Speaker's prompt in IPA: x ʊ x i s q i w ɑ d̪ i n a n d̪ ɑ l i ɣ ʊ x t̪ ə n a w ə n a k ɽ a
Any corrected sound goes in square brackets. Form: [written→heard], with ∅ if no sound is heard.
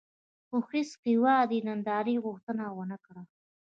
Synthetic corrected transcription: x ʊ x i s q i w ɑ d̪ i n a n d̪ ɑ [l→ɾ] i ɣ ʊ x t̪ ə n a w ə n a k ɽ a